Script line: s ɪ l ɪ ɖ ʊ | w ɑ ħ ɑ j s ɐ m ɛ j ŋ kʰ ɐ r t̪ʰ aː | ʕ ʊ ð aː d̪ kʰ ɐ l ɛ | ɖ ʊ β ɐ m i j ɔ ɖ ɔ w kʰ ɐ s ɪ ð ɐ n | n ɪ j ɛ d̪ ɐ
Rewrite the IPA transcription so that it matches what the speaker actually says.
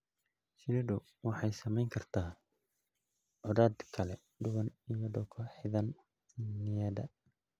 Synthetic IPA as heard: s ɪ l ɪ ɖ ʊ | w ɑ ħ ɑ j s ɐ m ɛ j ŋ kʰ ɐ r t̪ʰ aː | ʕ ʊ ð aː d̪ kʰ ɐ l ɛ | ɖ ʊ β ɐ n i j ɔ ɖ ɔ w kʰ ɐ ħ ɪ ð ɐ n | n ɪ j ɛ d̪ ɐ